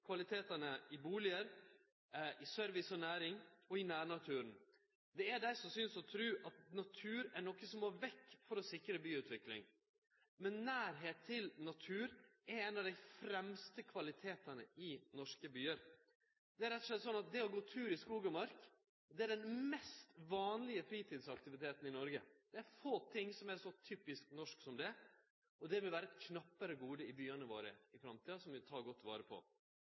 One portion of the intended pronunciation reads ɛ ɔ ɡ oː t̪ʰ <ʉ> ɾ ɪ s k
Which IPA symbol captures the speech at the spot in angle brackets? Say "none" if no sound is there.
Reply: ʉː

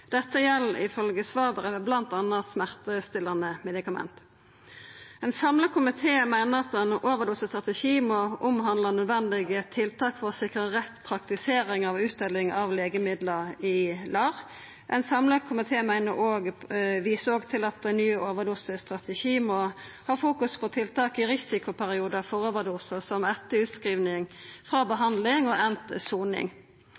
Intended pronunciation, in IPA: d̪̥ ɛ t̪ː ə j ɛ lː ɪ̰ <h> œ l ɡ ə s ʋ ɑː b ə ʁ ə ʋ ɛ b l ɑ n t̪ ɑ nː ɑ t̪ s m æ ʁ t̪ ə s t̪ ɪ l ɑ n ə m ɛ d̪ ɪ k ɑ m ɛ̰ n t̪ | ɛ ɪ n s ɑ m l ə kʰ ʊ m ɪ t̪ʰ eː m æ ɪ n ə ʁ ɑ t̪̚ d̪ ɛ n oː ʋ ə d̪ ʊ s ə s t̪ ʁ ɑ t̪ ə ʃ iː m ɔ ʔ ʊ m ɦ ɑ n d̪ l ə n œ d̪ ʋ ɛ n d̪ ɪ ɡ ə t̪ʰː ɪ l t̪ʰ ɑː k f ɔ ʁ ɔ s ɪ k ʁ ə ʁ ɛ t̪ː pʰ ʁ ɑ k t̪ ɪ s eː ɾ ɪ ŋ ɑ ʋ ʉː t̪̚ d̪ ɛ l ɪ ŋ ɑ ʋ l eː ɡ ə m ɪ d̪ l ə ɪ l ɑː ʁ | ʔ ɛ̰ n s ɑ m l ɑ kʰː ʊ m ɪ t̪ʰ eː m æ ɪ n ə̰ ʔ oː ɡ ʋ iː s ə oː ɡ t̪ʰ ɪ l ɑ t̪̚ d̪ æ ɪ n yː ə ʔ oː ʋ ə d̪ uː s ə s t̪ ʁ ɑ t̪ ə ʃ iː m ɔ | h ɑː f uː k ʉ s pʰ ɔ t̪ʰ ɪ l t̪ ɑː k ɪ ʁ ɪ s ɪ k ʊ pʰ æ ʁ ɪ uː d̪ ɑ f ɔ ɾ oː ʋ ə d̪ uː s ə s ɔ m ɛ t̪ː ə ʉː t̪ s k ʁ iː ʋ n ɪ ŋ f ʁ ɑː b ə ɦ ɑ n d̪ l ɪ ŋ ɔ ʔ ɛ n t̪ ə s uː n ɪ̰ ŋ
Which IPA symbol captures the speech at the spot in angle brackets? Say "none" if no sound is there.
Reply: f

